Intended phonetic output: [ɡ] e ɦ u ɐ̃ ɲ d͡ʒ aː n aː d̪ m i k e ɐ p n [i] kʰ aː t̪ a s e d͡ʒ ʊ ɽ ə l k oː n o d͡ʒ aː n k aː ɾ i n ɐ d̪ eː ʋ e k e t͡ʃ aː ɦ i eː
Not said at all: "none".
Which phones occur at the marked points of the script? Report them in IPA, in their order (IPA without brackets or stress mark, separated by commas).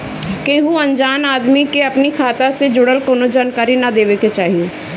k, i